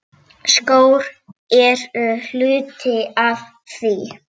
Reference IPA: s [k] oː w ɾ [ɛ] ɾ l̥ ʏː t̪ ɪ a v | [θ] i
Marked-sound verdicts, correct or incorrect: correct, correct, correct

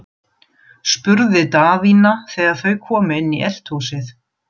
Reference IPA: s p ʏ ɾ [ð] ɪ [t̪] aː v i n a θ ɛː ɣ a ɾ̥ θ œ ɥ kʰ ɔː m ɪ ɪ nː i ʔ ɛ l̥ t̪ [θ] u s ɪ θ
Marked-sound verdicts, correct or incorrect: correct, correct, incorrect: h

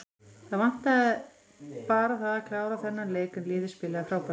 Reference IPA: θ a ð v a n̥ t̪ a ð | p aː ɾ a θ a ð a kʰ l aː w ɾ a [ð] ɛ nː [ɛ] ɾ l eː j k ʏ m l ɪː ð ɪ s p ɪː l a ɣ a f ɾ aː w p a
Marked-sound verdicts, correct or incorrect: incorrect: θ, incorrect: a

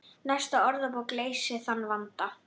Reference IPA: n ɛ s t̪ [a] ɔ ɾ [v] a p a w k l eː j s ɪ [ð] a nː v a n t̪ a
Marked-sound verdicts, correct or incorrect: correct, incorrect: ð, incorrect: θ

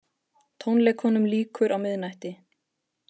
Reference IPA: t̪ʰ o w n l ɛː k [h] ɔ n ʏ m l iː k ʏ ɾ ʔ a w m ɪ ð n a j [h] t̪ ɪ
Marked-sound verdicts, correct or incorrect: correct, correct

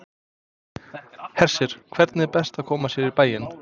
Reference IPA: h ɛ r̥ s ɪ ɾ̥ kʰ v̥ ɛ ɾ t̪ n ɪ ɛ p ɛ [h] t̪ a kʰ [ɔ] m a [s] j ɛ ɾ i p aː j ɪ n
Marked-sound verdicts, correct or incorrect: incorrect: s, incorrect: ɔː, correct

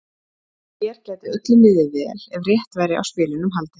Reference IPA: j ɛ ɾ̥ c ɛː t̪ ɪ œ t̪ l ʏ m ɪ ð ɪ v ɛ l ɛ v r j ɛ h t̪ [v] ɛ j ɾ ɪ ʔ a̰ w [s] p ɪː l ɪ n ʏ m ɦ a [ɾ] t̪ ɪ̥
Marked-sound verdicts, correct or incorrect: correct, correct, incorrect: l

